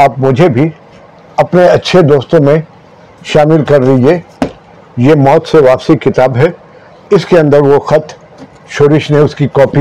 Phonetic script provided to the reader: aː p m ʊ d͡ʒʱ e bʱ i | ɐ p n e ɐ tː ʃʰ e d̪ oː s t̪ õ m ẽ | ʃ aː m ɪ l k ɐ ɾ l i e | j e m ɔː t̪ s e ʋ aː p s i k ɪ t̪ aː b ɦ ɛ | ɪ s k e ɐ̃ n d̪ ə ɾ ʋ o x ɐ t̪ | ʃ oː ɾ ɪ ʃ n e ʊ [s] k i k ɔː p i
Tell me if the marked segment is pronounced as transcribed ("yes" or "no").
yes